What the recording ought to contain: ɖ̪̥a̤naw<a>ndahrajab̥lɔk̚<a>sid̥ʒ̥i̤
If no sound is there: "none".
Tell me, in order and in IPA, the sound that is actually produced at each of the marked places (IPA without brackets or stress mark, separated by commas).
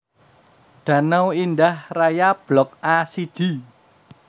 i, a